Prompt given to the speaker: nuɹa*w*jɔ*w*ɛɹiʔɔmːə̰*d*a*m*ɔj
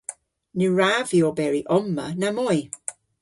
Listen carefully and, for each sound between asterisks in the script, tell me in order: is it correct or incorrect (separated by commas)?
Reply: incorrect, incorrect, incorrect, correct